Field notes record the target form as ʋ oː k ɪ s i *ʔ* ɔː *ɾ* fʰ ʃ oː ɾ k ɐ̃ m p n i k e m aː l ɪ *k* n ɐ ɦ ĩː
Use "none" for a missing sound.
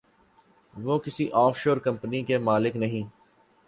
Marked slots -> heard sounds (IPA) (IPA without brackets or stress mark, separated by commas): ʔ, none, k